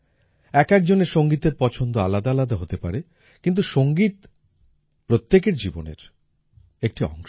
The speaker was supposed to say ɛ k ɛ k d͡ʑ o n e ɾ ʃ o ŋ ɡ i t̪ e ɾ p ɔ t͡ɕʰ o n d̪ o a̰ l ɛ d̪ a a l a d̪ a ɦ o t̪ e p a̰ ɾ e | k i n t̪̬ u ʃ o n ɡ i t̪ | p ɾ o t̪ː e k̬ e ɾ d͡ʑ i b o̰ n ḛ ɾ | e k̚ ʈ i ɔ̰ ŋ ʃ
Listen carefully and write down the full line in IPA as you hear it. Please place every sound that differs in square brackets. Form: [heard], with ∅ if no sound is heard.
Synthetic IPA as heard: ɛ k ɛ k d͡ʑ o n e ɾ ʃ o ŋ ɡ i t̪ e ɾ p ɔ t͡ɕʰ o n d̪ o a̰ l [a] d̪ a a l a d̪ a ɦ o t̪ e p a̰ ɾ e | k i n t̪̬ u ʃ o [ŋ] ɡ i t̪ | p ɾ o t̪ː e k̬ e ɾ d͡ʑ i b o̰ n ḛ ɾ | e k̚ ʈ i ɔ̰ ŋ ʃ